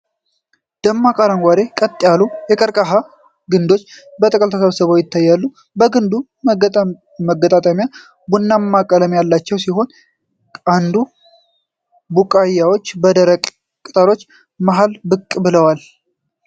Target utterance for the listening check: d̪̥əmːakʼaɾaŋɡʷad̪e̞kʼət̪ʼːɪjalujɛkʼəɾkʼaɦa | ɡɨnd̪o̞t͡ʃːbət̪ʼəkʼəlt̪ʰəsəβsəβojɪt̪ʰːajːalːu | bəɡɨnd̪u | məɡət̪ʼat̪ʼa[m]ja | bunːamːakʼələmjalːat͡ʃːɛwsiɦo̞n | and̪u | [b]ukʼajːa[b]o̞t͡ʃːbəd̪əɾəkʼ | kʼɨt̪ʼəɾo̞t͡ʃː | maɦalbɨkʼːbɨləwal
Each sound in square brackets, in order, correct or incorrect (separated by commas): correct, correct, incorrect